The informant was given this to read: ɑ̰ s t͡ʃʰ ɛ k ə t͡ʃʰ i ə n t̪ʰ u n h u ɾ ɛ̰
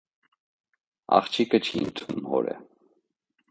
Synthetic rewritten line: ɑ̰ χ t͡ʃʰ i k ə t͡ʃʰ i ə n t̪ʰ u m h ɔ ɾ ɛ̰